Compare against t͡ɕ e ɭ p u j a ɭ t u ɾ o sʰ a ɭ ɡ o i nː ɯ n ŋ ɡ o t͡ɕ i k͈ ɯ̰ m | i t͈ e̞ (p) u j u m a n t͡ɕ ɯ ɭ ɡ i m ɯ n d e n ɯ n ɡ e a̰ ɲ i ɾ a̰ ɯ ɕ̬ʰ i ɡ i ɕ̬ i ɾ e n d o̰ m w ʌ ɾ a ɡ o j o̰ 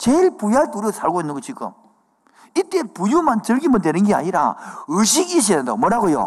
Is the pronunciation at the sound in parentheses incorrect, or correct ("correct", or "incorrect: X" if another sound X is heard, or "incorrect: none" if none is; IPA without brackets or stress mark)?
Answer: correct